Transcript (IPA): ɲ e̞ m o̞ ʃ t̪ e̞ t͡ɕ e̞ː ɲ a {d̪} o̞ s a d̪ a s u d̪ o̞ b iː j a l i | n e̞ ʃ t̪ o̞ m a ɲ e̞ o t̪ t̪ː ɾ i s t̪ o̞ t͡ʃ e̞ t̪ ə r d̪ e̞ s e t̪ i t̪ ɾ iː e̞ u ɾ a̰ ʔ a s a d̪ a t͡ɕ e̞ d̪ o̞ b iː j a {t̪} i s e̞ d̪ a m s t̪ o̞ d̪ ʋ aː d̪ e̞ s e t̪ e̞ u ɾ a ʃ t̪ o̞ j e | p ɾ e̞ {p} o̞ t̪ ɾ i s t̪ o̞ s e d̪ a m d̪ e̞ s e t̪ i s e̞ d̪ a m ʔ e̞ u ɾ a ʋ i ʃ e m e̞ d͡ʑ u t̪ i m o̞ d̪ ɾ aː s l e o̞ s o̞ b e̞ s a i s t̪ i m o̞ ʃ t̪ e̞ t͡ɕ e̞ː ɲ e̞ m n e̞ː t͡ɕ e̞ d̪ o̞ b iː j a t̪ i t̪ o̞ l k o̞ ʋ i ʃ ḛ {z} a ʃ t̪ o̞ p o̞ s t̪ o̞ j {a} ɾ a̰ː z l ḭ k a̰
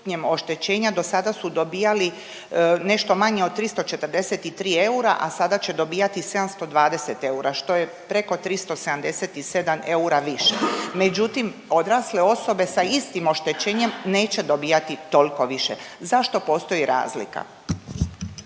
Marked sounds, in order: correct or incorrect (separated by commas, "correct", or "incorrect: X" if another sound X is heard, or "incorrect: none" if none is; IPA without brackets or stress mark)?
correct, correct, incorrect: k, correct, incorrect: i